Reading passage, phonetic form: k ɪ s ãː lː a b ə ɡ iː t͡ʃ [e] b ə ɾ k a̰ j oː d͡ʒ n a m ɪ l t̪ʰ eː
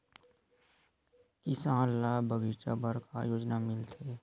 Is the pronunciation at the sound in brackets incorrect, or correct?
incorrect